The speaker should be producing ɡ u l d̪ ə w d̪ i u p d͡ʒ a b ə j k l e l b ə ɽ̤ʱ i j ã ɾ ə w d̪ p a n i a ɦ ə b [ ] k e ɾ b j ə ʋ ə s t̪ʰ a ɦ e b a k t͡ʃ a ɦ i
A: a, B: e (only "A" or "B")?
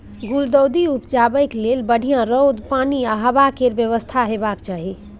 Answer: A